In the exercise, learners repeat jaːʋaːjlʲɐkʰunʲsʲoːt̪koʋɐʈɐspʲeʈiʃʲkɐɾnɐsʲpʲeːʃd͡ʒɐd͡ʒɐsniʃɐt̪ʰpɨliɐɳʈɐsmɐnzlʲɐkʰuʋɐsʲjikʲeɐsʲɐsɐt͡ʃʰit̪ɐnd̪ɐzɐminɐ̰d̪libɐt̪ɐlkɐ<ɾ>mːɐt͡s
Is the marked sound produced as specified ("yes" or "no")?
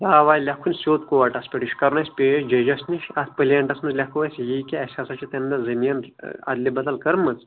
yes